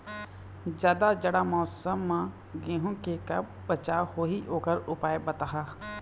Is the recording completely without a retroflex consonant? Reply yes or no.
no